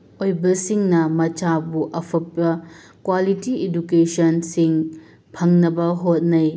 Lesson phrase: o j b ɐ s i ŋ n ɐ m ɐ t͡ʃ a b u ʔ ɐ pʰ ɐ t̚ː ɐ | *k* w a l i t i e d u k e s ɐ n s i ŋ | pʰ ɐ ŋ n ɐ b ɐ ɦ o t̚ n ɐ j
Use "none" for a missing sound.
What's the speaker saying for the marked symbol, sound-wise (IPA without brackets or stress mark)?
k